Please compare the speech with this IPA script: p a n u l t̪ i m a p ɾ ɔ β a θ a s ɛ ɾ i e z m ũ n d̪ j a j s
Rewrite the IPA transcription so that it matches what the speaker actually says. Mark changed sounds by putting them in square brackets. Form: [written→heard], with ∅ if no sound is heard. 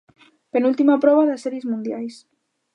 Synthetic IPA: p [a→e] n u l t̪ i m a p ɾ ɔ β a [θ→ð] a s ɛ ɾ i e z m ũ n d̪ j a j s